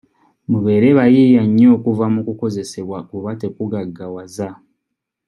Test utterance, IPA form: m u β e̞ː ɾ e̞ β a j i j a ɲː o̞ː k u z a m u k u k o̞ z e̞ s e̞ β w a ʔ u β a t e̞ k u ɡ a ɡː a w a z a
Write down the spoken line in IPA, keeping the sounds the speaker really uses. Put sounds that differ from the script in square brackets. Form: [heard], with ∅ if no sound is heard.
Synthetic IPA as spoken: m u β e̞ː ɾ e̞ β a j i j a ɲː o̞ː k u [v] a m u k u k o̞ z e̞ s e̞ β w a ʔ u β a t e̞ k u ɡ a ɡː a w a z a